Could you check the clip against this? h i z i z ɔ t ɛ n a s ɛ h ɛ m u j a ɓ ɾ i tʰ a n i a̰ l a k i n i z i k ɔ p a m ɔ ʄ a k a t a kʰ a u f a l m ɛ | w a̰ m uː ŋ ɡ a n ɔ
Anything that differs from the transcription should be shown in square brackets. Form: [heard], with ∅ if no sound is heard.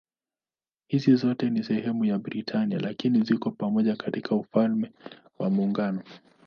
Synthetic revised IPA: h i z i z ɔ t ɛ n [i] s ɛ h ɛ m u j a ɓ ɾ i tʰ a n i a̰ l a k i n i z i k ɔ p a m ɔ ʄ a k a t [i] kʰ a u f a l m ɛ | w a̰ m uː ŋ ɡ a n ɔ